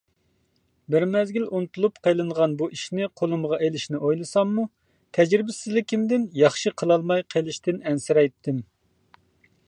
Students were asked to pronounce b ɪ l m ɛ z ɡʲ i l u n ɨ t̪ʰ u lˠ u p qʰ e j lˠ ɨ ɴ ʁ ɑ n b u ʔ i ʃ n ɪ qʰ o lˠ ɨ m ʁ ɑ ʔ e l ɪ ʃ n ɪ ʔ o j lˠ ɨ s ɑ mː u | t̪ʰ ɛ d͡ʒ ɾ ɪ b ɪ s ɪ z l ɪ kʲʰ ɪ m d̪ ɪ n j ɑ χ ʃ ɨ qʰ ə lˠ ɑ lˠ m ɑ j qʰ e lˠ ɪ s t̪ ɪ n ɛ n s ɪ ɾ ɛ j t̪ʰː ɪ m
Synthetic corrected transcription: b ɪ ɾ m ɛ z ɡʲ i l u n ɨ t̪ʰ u lˠ u p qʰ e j lˠ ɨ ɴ ʁ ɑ n b u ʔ i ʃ n ɪ qʰ o lˠ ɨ m ʁ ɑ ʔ e l ɪ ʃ n ɪ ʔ o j lˠ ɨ s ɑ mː u | t̪ʰ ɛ d͡ʒ ɾ ɪ b ɪ s ɪ z l ɪ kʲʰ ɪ m d̪ ɪ n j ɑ χ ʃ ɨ qʰ ə lˠ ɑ lˠ m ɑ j qʰ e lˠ ɪ ʃ t̪ ɪ n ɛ n s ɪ ɾ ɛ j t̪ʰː ɪ m

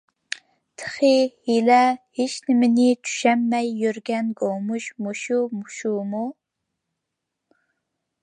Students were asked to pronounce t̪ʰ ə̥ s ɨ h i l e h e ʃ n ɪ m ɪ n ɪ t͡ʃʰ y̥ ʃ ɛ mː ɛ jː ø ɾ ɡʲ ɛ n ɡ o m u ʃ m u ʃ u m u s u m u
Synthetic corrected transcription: t̪ʰ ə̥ χ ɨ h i l ɛ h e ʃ n ɪ m ɪ n ɪ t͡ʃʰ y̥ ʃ ɛ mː ɛ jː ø ɾ ɡʲ ɛ n ɡ o m u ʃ m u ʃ u m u ʃ u m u

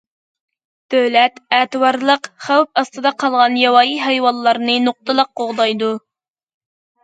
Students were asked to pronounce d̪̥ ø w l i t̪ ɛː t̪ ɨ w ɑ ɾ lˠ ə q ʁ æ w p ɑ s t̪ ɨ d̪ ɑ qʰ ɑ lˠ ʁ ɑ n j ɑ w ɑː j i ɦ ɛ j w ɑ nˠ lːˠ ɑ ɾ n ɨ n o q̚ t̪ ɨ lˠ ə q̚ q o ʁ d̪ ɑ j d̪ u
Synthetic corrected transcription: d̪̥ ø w l ɛ t̪ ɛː t̪ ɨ w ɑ ɾ lˠ ə q χ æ w p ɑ s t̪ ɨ d̪ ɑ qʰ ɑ lˠ ʁ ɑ n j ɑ w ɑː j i ɦ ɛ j w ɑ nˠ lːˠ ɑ ɾ n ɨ n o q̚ t̪ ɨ lˠ ə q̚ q o ʁ d̪ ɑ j d̪ u

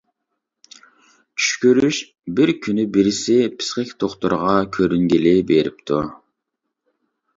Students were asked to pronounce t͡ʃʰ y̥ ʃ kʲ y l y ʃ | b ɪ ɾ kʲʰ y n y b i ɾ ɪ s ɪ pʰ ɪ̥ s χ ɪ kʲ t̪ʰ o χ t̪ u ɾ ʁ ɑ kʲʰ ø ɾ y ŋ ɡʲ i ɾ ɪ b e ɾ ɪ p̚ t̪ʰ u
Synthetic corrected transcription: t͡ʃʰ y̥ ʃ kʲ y ɾ y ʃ | b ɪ ɾ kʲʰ y n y b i ɾ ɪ s ɪ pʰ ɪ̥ s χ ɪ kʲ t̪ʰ o χ t̪ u ɾ ʁ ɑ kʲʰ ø ɾ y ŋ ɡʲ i l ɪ b e ɾ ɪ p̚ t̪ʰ u

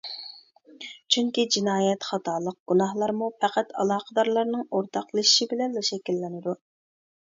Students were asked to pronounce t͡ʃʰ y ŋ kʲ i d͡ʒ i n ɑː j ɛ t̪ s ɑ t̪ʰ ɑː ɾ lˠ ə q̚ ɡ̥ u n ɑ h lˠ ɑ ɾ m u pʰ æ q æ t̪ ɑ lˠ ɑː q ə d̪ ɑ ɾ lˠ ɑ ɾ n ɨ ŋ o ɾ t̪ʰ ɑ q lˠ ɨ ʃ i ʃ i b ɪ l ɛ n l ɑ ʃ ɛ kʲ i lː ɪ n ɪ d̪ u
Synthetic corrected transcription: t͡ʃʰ y ŋ kʲ i d͡ʒ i n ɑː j ɛ t̪ χ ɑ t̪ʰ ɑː lˠ ə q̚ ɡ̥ u n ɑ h lˠ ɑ ɾ m u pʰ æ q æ t̪ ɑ lˠ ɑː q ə d̪ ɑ ɾ lˠ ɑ ɾ n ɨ ŋ o ɾ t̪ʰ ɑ q lˠ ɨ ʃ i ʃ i b ɪ l ɛ n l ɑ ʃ ɛ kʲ i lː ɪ n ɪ d̪ u

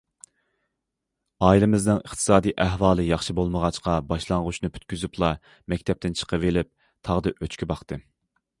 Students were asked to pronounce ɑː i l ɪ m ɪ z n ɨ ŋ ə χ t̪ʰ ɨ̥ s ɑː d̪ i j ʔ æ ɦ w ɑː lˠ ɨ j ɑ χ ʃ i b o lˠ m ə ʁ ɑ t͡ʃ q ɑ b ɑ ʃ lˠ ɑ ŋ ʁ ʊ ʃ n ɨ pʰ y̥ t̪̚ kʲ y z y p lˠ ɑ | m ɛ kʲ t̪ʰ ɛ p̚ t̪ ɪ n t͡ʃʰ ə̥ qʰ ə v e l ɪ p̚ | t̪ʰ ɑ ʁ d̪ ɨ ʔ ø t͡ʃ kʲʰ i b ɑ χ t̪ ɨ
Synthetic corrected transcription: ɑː i l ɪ m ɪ z n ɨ ŋ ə χ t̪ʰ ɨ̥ s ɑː d̪ i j ʔ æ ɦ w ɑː lˠ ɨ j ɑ χ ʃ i b o lˠ m ə ʁ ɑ t͡ʃ q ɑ b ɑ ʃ lˠ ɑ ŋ ʁ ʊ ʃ n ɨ pʰ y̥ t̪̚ kʲ y z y p lˠ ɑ | m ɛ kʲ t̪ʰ ɛ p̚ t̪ ɪ n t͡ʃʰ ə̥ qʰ ə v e l ɪ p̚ | t̪ʰ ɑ ʁ d̪ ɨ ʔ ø t͡ʃ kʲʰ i b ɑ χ t̪ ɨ

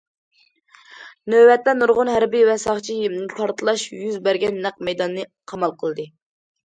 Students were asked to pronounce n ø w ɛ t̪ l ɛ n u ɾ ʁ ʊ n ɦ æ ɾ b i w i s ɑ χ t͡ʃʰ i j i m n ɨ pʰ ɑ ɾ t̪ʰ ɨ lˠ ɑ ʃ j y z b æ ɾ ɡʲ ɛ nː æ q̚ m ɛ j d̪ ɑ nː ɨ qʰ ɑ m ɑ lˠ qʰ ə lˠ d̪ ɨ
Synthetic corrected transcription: n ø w ɛ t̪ l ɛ n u ɾ ʁ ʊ n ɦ æ ɾ b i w ɛ s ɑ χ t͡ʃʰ i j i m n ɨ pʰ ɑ ɾ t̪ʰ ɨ lˠ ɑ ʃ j y z b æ ɾ ɡʲ ɛ nː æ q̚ m ɛ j d̪ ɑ nː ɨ qʰ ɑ m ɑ lˠ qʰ ə lˠ d̪ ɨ

